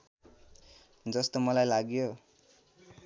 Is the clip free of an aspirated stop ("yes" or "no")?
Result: yes